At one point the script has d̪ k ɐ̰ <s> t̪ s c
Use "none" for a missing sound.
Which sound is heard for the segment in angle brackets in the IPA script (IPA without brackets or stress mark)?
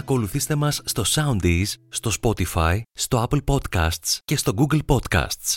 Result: s